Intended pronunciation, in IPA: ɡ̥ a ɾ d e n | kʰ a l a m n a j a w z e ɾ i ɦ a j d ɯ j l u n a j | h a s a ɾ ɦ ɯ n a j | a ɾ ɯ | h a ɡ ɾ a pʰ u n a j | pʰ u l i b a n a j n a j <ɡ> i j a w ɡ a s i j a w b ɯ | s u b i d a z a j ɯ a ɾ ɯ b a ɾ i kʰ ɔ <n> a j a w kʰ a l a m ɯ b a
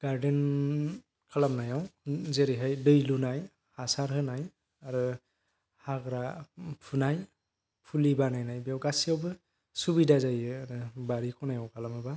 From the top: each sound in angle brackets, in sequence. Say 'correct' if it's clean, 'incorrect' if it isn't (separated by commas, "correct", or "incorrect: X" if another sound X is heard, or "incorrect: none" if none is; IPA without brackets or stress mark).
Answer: incorrect: b, correct